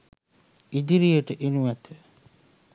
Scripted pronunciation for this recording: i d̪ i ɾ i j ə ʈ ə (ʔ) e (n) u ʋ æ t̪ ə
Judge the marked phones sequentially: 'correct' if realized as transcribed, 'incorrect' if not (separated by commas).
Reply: correct, correct